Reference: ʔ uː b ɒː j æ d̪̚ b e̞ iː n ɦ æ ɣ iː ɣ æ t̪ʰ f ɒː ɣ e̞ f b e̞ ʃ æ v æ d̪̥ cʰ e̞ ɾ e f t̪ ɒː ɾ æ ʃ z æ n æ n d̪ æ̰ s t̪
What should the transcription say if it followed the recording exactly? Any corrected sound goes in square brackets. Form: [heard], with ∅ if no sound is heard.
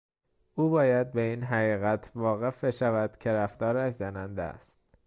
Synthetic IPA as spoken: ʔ uː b ɒː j æ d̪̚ b e̞ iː n ɦ æ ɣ iː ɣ æ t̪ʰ [v] ɒː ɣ e̞ f b e̞ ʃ æ v æ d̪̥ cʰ e̞ ɾ [æ] f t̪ ɒː ɾ æ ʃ z æ n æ n d̪ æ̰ s t̪